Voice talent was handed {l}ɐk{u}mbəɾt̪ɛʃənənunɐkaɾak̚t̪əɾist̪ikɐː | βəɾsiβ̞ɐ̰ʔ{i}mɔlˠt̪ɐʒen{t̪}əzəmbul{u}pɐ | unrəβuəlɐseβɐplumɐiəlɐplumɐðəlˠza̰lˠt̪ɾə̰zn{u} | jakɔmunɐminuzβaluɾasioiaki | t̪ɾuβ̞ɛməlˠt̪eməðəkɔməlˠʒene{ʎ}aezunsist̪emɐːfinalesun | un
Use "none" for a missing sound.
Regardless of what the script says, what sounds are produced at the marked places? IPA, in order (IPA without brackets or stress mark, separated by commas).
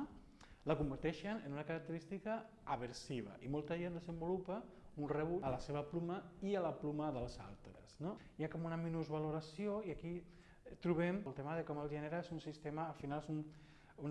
l, u, i, d̪, u, o, ɾ